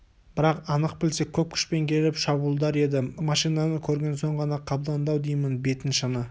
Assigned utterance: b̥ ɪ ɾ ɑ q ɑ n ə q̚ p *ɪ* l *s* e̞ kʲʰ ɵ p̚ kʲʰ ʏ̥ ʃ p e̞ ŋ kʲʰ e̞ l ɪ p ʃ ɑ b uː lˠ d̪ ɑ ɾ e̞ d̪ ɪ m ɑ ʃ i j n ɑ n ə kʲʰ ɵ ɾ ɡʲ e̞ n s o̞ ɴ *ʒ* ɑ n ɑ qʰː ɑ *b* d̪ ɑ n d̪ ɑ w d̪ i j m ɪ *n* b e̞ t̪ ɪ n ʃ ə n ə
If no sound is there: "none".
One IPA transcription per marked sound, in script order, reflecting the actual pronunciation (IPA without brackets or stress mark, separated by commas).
ɪ, s, ʁ, b, n